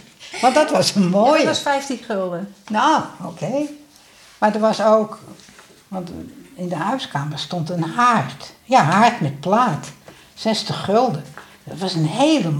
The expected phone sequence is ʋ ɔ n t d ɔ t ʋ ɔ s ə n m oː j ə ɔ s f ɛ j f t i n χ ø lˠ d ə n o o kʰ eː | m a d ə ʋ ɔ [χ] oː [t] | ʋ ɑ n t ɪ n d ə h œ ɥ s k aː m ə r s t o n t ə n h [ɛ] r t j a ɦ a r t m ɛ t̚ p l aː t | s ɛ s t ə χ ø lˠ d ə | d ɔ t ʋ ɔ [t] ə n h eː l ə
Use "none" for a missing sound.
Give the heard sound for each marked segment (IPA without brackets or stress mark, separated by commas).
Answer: s, k, a, s